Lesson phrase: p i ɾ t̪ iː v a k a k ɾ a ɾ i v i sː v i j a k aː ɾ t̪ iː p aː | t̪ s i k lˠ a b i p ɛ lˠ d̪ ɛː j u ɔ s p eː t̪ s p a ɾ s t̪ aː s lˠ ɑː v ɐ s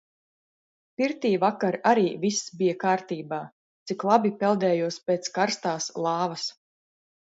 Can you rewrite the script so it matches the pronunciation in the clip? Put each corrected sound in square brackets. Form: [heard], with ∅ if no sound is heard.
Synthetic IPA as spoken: p i ɾ t̪ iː v a k a [∅] ɾ a ɾ [iː] v i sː [b] i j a k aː ɾ t̪ iː [b] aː | t̪ s i k lˠ a b i p ɛ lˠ d̪ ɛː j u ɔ s p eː t̪ s [k] a ɾ s t̪ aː s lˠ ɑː v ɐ s